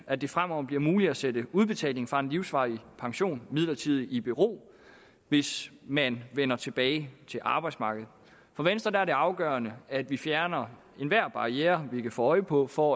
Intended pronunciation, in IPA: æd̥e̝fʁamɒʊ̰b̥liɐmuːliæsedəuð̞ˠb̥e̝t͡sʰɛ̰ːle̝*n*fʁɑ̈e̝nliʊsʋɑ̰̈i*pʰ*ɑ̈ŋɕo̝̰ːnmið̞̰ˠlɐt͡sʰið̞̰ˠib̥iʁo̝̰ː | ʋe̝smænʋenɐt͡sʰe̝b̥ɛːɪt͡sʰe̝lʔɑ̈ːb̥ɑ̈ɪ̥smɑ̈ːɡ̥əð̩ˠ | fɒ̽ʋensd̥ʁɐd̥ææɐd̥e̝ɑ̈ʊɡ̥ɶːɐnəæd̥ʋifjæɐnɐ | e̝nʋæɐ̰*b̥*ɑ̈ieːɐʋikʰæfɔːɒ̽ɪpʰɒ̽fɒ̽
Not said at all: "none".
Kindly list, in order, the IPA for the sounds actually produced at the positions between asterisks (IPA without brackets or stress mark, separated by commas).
ŋ, pʰ, b̥